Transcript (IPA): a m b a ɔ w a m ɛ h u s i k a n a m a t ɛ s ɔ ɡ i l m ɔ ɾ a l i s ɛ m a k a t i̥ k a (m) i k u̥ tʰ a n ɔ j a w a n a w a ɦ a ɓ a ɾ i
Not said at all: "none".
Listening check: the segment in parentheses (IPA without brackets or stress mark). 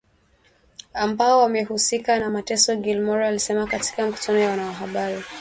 m